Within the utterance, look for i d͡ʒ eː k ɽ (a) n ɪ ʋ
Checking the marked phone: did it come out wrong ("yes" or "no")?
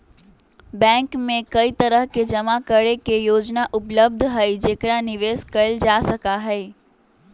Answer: no